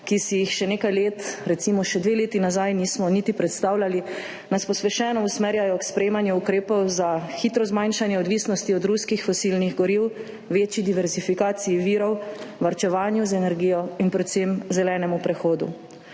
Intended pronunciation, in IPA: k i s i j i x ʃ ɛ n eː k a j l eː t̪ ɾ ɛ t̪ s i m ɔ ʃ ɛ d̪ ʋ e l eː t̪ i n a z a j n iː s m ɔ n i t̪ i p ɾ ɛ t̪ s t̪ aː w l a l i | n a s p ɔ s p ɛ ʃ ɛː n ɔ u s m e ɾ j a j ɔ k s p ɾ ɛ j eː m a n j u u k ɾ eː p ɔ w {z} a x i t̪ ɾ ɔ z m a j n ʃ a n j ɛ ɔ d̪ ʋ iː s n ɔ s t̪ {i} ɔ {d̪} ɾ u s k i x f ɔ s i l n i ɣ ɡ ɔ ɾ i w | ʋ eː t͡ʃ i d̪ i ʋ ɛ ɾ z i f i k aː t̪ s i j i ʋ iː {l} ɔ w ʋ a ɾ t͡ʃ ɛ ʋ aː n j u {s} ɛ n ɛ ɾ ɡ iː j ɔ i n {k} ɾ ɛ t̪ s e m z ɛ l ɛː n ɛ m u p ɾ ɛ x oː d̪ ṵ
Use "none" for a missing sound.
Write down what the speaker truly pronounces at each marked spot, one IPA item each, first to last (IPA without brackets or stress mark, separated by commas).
z, i, d̪, ɾ, z, p